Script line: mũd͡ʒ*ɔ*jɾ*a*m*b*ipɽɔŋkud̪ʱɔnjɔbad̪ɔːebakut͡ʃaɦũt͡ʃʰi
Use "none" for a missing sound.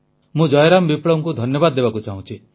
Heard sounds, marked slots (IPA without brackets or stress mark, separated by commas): ɔ, a, b